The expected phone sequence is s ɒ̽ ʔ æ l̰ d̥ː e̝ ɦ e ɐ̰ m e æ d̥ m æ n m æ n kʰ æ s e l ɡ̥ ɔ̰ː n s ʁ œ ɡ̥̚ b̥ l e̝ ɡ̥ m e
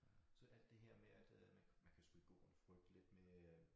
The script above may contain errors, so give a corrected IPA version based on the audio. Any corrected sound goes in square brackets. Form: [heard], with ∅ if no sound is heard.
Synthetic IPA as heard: s ɒ̽ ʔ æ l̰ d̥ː e̝ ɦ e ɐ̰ m e æ d̥ m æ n m æ n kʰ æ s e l ɡ̥ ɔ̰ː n [f] ʁ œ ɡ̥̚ [d̥] l e̝ [d̥] m e